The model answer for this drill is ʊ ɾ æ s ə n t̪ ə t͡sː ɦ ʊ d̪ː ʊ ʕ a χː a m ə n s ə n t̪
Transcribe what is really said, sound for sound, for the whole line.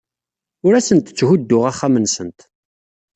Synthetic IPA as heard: ʊ ɾ æ s ə n t̪ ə t͡sː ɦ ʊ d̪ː ʊ ʁ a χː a m ə n s ə n t̪